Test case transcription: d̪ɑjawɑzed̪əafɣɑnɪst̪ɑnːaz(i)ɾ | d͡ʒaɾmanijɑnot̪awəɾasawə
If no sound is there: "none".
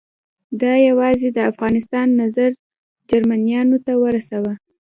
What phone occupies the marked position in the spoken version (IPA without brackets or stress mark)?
a